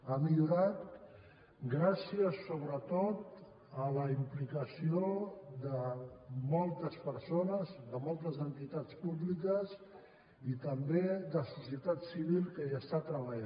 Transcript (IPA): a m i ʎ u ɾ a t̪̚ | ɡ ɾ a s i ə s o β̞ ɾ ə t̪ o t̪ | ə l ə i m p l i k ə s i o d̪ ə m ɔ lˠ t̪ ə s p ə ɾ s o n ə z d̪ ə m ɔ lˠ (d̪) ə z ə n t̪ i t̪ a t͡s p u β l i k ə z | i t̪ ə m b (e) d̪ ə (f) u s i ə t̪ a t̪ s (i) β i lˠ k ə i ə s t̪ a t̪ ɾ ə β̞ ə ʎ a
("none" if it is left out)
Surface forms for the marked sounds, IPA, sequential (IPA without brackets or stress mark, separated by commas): t̪, e, s, i